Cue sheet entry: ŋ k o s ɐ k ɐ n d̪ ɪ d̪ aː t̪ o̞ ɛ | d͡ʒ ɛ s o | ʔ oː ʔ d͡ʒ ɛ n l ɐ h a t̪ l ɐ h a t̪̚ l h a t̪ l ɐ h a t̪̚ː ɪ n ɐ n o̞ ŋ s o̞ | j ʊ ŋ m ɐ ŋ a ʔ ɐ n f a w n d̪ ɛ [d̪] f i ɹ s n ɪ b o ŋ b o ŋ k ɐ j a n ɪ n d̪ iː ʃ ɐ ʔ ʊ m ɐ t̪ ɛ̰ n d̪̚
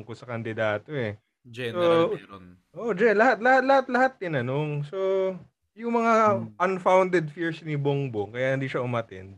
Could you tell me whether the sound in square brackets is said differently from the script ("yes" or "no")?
no